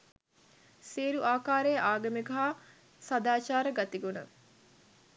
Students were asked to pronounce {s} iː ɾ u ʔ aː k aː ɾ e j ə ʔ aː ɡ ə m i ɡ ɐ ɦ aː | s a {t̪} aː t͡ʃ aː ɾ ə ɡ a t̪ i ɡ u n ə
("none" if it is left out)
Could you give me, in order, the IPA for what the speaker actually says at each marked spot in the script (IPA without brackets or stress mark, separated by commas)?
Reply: s, d̪